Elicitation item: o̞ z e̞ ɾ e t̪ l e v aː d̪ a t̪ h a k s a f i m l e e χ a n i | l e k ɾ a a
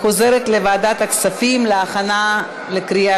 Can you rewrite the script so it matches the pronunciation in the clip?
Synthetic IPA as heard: o̞ z e̞ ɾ e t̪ l e v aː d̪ a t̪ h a k s a f i m l e a χ a n a | l e k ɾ i a